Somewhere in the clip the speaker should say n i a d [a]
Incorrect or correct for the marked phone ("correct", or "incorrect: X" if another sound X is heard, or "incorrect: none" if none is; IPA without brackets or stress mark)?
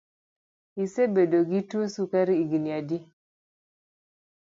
incorrect: i